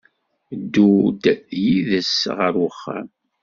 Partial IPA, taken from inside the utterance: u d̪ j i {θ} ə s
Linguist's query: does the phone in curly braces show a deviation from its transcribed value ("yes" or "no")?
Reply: yes